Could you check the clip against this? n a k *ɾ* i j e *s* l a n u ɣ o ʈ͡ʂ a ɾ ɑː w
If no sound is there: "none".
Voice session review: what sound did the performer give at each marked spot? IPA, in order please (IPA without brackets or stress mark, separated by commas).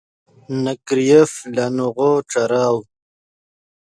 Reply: ɾ, f